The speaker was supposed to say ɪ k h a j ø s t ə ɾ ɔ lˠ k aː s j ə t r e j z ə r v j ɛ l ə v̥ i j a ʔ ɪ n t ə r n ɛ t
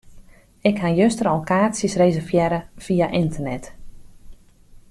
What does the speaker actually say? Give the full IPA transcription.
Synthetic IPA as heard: ɪ k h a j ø s t ə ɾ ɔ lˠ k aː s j ə s r e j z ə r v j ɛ ɾ ə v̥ i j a ʔ ɪ n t ə r n ɛ t